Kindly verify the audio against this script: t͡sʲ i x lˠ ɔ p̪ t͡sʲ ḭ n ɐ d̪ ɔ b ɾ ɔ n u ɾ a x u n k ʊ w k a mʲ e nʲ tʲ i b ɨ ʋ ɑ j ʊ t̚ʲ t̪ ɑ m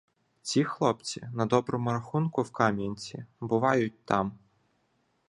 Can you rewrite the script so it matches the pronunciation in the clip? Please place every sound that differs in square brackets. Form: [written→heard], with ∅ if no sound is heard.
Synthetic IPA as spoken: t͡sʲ i x lˠ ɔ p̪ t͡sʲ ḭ n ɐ d̪ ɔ b ɾ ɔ [n→m] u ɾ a x u n k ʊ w k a mʲ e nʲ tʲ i b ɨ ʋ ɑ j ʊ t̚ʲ t̪ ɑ m